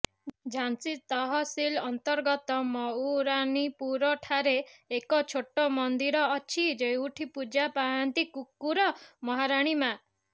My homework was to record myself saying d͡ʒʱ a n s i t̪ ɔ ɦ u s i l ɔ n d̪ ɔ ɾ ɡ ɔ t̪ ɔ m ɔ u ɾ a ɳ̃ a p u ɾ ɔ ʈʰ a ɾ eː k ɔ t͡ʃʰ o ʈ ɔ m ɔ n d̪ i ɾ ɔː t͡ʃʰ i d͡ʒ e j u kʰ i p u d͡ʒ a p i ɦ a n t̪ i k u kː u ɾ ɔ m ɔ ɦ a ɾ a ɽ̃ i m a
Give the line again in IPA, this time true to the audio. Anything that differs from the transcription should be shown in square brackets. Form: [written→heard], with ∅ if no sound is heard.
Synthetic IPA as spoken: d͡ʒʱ a n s i t̪ ɔ ɦ [u→ɔ] s i l ɔ n [d̪→t̪] ɔ ɾ ɡ ɔ t̪ ɔ m ɔ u ɾ a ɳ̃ [a→i] p u ɾ ɔ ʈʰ a ɾ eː k ɔ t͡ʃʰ o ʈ ɔ m ɔ n d̪ i ɾ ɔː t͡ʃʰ i d͡ʒ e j u [kʰ→ʈʰ] i p u d͡ʒ a p [i→a] ɦ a n t̪ i k u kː u ɾ ɔ m ɔ ɦ a ɾ a ɽ̃ i m a